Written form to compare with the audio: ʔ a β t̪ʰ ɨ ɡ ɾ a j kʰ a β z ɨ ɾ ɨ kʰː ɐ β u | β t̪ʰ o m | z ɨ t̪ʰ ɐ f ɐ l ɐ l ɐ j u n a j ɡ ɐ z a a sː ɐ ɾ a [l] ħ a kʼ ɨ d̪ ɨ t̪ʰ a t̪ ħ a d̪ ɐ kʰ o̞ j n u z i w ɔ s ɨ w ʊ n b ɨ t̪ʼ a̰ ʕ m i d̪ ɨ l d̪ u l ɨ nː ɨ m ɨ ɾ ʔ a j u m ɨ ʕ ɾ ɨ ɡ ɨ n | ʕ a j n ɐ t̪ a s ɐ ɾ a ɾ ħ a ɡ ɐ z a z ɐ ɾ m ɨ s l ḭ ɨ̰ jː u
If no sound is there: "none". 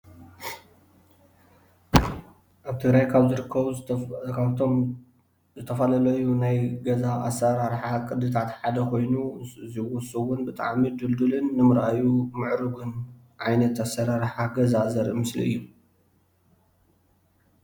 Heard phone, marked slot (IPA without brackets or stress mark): ɾ